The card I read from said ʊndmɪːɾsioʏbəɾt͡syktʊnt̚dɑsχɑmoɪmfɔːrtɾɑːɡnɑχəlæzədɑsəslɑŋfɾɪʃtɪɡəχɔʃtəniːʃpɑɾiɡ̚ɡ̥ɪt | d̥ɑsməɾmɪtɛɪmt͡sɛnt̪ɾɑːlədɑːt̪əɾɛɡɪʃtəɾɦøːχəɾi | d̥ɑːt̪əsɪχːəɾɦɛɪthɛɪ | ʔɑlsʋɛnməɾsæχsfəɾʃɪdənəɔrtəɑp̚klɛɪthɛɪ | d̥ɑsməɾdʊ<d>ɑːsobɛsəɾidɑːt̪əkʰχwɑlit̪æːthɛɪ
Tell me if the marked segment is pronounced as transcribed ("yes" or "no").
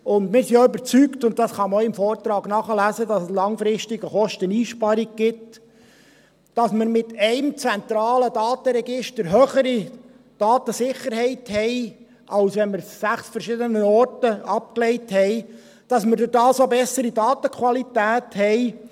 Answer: yes